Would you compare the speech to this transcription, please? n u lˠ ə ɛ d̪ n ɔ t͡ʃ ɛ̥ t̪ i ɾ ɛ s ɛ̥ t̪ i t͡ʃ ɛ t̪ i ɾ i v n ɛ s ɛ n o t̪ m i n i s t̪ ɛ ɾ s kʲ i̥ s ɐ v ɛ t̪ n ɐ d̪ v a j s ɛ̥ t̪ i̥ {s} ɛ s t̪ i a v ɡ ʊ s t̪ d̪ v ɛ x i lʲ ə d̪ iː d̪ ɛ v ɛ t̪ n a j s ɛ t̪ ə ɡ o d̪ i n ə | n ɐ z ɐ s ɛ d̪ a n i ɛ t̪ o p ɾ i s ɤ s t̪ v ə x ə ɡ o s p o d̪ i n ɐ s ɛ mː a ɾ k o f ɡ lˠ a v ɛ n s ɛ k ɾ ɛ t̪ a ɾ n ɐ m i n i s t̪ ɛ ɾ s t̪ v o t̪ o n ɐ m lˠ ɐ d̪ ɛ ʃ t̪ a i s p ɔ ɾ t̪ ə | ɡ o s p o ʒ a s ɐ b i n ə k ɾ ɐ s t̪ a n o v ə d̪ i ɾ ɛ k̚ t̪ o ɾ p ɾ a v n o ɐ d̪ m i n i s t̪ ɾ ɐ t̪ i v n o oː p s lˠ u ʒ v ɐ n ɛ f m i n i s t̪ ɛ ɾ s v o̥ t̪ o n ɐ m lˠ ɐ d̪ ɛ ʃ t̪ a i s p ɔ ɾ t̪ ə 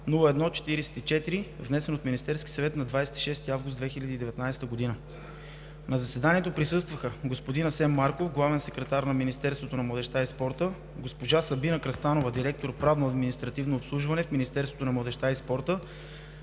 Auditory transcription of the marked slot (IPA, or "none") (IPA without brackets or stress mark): ʃ